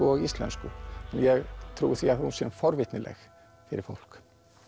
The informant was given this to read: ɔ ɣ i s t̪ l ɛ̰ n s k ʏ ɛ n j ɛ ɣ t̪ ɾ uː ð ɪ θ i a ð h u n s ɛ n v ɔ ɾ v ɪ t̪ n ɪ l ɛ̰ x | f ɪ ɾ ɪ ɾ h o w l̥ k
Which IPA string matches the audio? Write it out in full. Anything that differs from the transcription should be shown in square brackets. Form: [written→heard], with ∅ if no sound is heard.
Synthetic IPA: ɔ ɣ i s t̪ l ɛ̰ n s k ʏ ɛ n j ɛ ɣ [t̪→t̪ʰ] ɾ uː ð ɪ θ i a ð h u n s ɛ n [v→f] ɔ ɾ v ɪ t̪ n ɪ l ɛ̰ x | f ɪ ɾ ɪ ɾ [h→f] o w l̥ k